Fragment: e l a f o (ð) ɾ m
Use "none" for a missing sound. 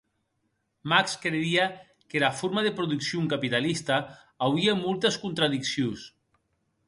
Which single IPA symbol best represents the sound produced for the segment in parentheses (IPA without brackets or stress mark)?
none